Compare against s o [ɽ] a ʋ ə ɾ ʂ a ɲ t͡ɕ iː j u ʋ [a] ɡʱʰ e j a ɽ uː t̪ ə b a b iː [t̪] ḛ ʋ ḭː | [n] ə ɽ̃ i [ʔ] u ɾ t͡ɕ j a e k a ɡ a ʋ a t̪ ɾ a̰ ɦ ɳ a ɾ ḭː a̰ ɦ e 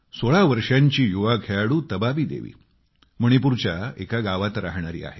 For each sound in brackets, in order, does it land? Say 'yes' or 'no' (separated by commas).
no, yes, no, no, no